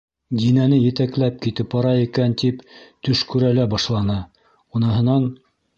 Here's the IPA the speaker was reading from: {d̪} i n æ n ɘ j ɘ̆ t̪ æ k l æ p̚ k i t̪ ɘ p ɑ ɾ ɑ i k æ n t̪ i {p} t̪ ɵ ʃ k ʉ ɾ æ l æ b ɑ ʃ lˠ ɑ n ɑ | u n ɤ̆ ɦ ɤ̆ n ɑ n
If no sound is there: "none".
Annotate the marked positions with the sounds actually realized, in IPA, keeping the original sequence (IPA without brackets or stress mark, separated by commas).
d̪, p